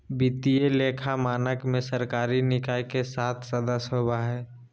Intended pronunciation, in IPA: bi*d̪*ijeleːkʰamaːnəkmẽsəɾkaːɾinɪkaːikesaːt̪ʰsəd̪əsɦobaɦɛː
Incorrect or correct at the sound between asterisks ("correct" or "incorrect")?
incorrect